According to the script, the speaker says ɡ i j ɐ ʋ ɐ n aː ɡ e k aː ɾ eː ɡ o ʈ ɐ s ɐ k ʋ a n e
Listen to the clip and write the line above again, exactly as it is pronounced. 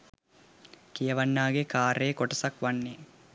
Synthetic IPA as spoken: k i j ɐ ʋ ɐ nː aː ɡ e k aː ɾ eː k o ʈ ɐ s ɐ k ʋ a nː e